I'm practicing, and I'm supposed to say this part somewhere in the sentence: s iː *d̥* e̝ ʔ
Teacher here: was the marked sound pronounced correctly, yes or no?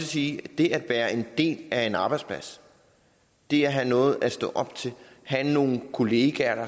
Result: yes